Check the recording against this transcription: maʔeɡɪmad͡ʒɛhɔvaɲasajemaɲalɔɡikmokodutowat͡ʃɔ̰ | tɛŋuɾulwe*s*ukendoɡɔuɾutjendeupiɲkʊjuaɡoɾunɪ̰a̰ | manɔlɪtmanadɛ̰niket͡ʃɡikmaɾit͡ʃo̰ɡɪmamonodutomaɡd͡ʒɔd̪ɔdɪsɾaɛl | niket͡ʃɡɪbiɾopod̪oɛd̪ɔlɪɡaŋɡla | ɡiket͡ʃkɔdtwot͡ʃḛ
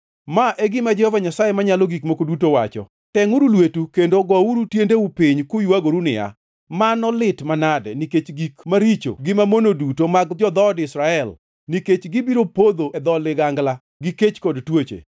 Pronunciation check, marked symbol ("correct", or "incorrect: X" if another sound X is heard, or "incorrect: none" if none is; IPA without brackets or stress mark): incorrect: t